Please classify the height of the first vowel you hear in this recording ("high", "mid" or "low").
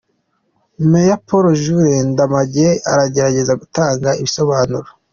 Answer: mid